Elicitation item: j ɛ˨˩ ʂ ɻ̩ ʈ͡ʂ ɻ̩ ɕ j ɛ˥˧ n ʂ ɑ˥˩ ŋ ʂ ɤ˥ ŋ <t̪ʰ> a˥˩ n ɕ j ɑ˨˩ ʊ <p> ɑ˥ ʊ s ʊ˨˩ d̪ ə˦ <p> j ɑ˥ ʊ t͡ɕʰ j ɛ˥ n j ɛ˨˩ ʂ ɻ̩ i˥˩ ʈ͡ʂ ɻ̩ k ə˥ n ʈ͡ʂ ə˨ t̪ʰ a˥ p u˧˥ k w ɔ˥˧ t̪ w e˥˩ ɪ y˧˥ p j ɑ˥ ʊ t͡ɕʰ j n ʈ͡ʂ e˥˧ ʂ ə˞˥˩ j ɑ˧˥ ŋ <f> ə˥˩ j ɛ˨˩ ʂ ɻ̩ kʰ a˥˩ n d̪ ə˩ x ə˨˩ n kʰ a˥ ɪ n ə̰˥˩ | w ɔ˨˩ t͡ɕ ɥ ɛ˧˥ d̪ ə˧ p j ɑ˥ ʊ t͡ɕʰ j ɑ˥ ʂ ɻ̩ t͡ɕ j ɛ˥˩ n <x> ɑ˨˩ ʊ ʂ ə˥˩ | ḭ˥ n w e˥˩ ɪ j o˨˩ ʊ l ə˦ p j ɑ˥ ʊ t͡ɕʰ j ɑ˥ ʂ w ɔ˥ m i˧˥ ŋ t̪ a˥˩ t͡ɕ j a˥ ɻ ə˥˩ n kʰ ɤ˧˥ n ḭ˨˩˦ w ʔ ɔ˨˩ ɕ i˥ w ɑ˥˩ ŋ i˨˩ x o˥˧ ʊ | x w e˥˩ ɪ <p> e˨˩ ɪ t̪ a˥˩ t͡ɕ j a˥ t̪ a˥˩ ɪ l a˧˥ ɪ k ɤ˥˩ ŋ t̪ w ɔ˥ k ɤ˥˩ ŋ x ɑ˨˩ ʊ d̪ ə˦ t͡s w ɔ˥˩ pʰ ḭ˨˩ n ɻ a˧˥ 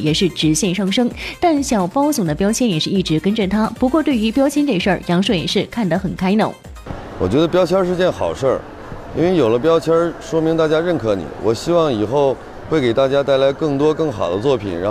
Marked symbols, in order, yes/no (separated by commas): no, yes, yes, no, yes, no